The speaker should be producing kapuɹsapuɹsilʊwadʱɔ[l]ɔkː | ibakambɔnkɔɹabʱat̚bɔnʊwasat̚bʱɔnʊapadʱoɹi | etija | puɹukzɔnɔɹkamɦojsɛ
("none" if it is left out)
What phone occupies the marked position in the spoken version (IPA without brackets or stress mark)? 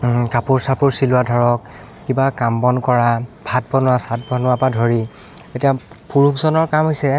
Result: ɹ